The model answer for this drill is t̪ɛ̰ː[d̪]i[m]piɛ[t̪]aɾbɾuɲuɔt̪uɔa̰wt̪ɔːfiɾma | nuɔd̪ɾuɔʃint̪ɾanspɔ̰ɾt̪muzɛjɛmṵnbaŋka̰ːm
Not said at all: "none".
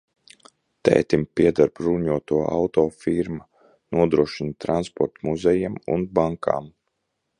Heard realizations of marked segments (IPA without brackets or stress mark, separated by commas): t̪, m, d̪